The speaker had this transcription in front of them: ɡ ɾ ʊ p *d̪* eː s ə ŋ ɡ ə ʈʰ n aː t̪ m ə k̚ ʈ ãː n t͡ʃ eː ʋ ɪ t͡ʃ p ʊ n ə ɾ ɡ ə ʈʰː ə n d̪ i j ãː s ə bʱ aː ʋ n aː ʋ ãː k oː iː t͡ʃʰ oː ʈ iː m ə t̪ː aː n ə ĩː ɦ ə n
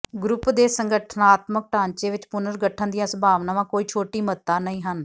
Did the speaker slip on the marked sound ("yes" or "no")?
no